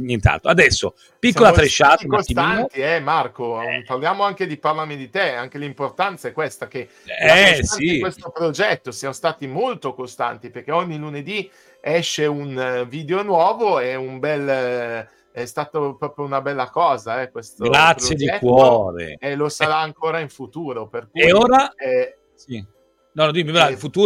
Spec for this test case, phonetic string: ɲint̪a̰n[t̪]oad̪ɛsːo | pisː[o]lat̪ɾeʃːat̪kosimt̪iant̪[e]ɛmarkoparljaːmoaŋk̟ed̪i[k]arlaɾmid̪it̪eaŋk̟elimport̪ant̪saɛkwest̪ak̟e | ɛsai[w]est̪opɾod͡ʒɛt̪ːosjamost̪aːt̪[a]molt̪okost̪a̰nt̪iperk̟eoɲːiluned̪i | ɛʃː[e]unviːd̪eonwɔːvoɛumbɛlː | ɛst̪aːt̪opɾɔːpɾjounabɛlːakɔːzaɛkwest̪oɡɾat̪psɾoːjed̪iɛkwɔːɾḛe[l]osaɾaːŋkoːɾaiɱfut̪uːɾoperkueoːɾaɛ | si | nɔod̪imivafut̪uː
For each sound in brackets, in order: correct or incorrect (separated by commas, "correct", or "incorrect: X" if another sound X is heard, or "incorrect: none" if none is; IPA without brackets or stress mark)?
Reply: correct, correct, incorrect: i, incorrect: p, correct, incorrect: i, correct, correct